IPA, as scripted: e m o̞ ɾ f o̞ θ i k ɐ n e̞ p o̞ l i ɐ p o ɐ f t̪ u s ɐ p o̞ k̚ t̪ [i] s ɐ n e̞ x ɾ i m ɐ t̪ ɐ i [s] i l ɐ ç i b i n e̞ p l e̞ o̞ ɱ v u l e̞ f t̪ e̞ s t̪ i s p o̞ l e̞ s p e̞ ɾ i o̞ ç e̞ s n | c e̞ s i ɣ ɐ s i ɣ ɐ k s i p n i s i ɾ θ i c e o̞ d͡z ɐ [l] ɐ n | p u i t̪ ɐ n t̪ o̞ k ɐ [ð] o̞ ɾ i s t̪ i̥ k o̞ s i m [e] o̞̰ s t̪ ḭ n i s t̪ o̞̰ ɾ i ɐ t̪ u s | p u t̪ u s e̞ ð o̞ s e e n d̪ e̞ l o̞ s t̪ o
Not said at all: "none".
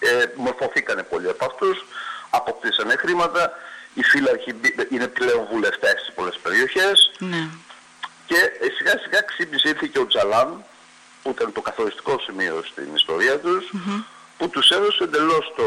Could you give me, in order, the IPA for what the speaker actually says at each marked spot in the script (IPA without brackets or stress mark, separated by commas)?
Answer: i, f, l, θ, i